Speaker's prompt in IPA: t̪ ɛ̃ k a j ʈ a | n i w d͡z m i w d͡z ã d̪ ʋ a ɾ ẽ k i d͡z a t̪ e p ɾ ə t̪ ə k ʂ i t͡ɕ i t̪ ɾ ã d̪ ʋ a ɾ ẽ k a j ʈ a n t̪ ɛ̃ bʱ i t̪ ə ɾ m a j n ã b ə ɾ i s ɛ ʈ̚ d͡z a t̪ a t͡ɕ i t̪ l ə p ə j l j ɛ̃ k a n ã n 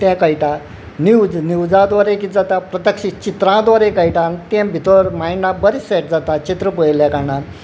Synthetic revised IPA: t̪ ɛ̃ k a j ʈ a | n i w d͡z n i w d͡z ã d̪ ʋ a ɾ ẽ k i d͡z a t̪ a p ɾ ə t̪ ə k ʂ i t͡ɕ i t̪ ɾ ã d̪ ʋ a ɾ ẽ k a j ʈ a n t̪ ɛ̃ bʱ i t̪ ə ɾ m a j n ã b ə ɾ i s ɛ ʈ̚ d͡z a t̪ a t͡ɕ i t̪ ɾ ə p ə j l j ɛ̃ k a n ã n

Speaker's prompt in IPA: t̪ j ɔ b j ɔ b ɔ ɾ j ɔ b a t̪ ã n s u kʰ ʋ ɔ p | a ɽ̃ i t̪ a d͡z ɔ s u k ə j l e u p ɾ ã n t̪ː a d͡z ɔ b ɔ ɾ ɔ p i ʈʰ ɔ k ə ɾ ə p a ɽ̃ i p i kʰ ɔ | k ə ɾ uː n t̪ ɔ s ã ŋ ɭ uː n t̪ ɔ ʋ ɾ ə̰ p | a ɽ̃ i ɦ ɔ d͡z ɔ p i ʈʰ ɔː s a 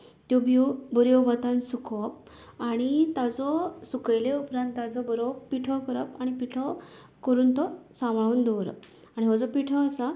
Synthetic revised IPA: t̪ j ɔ b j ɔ b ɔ ɾ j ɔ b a t̪ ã n s u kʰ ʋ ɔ p | a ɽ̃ i t̪ a d͡z ɔ s u k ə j l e u p ɾ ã n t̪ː a d͡z ɔ b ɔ ɾ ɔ p i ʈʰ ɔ k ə ɾ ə p a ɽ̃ i p i ʈʰ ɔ | k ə ɾ uː n t̪ ɔ s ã m ɭ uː n d̪ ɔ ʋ ɾ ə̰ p | a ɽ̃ i ɦ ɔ d͡z ɔ p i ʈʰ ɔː s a

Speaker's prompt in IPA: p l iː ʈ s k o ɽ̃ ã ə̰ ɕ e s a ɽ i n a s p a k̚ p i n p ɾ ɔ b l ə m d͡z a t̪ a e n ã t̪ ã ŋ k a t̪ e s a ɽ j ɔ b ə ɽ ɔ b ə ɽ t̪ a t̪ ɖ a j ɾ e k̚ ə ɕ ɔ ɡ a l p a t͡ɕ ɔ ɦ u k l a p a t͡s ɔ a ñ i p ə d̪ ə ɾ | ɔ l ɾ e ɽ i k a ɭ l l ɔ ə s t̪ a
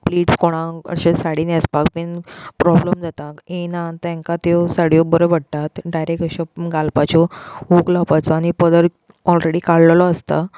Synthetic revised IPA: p l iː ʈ s k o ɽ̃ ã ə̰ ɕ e s a ɽ i n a s p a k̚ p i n p ɾ ɔ b l ə m d͡z a t̪ a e n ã t̪ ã ŋ k a t̪ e s a ɽ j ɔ b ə ɾ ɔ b ə ɽ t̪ a t̪ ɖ a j ɾ e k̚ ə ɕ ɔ ɡ a l p a t͡ɕ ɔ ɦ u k l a p a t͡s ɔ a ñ i p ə d̪ ə ɾ | ɔ l ɾ e ɽ i k a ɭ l l ɔ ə s t̪ a

